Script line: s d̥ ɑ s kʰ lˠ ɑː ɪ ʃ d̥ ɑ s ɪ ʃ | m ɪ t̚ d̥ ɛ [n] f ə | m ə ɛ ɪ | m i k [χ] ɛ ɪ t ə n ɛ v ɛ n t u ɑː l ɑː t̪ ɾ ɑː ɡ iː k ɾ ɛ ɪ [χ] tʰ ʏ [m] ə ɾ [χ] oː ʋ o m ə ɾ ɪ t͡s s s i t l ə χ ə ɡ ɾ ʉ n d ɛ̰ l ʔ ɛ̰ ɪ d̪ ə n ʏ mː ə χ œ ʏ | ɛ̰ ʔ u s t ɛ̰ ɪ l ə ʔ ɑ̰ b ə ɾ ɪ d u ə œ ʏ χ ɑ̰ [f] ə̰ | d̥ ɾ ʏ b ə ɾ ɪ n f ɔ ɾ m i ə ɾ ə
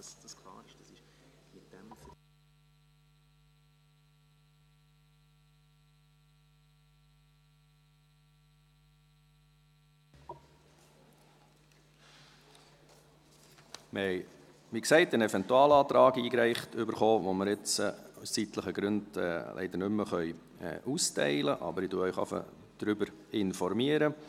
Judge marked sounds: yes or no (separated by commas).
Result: no, no, yes, no, yes, yes